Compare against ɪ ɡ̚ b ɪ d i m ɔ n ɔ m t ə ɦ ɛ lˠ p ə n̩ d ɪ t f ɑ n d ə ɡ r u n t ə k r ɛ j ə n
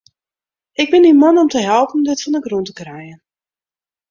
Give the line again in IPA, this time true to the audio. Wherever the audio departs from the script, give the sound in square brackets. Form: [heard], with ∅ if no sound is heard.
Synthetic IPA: ɪ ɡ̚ b ɪ [n] i m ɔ n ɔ m t ə ɦ ɛ lˠ p ə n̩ d ɪ t f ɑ n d ə ɡ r u n t ə k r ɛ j ə n